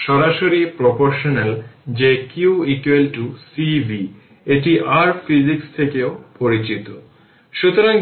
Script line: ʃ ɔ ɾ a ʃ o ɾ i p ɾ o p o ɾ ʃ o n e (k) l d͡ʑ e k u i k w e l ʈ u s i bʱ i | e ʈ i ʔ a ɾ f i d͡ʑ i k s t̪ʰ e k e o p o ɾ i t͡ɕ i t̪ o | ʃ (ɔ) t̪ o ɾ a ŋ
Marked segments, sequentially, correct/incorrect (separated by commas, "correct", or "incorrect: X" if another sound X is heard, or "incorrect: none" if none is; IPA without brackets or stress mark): incorrect: none, incorrect: u